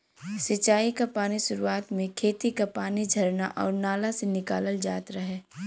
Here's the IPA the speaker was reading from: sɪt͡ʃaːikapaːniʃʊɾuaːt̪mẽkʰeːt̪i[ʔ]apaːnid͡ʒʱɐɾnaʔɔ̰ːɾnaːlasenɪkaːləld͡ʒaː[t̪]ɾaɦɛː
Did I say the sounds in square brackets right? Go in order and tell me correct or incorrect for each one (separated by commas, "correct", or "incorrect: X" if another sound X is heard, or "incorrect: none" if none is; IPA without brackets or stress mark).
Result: incorrect: k, correct